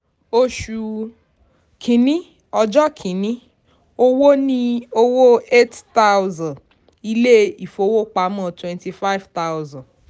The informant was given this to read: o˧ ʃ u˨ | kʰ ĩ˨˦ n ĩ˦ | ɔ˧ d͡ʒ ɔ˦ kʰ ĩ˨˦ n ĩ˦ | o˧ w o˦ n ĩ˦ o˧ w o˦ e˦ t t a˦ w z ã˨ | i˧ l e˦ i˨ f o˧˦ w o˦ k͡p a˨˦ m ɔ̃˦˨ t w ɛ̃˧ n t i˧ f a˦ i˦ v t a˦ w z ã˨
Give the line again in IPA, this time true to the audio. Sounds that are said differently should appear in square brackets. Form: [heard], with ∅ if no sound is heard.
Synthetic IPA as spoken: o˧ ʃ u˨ | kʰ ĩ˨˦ n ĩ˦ | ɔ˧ d͡ʒ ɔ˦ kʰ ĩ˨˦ n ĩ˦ | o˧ w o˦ n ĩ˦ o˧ w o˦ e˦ t t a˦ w z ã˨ | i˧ l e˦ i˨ f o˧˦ w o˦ k͡p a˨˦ m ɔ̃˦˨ t w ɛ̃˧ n t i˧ f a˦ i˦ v t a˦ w z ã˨